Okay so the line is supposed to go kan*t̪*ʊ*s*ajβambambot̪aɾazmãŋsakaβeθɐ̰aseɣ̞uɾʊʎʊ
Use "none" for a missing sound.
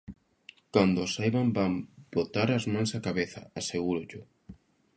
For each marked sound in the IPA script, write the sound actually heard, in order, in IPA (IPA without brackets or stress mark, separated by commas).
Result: d̪, s